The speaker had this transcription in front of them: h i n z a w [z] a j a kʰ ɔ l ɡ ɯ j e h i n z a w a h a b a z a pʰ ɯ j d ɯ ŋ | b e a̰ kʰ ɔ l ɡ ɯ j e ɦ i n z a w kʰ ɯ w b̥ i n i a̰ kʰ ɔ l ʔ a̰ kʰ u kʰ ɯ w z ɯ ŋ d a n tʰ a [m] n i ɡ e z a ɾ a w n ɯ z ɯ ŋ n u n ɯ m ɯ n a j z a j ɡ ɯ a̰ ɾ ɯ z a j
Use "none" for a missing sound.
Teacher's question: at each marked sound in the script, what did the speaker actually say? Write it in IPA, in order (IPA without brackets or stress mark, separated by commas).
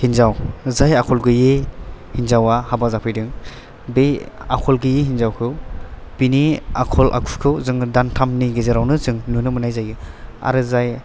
z, m